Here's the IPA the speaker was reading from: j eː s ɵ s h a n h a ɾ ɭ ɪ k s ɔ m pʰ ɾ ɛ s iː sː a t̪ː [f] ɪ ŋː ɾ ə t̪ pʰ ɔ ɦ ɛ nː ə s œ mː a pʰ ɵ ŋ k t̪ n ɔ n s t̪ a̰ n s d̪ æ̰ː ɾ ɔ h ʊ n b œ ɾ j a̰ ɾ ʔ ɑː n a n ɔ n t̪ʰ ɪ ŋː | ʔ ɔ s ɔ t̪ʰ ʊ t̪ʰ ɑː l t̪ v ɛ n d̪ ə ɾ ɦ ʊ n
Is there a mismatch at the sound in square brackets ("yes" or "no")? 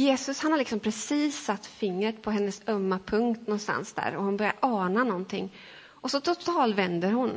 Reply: no